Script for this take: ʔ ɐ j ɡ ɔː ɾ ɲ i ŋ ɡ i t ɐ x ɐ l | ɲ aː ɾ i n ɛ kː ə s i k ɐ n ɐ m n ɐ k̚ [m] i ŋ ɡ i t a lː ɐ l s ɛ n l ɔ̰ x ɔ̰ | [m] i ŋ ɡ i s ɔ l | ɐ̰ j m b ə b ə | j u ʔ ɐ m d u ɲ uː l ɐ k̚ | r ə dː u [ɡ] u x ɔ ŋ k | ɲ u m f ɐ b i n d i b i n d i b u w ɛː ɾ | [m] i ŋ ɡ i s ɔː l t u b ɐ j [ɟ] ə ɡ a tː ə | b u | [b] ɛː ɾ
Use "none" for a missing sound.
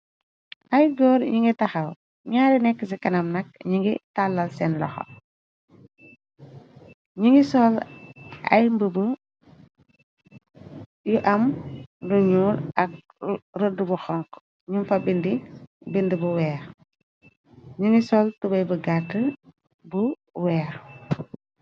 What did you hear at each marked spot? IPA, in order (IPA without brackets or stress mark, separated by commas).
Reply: ɲ, ɲ, b, ɲ, b, w